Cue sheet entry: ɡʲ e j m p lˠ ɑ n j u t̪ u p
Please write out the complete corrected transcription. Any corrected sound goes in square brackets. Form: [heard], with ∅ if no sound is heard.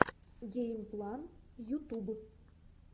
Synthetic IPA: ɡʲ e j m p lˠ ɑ n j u t̪ u [b]